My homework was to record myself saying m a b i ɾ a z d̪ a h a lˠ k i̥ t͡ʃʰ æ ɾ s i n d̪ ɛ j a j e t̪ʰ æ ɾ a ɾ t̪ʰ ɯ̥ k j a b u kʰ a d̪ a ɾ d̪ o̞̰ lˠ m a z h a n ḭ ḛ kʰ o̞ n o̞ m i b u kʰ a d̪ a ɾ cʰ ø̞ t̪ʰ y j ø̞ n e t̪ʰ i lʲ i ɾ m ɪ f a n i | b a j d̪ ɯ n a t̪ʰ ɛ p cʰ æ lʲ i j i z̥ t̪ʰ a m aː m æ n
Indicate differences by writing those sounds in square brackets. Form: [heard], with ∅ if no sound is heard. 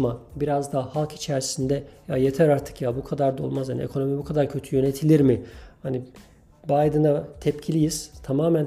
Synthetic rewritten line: m a b i ɾ a z d̪ a h a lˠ k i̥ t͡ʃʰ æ ɾ s i n d̪ ɛ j a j e t̪ʰ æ ɾ a ɾ t̪ʰ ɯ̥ k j a b u kʰ a d̪ a ɾ d̪ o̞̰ lˠ m a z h a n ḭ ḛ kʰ o̞ n o̞ m i b u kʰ a d̪ a ɾ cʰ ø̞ t̪ʰ y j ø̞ n e t̪ʰ i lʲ i ɾ m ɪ [h] a n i | b a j d̪ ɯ n a t̪ʰ ɛ p cʰ [i] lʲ i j i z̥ t̪ʰ a m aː m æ n